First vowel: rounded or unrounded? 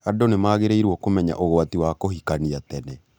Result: unrounded